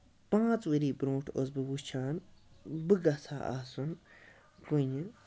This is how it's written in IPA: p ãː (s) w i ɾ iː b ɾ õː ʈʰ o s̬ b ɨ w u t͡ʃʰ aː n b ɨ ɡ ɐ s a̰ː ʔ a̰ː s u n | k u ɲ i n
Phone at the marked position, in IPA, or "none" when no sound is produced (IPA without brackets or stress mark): t͡s